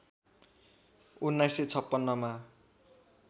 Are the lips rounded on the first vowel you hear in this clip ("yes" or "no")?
yes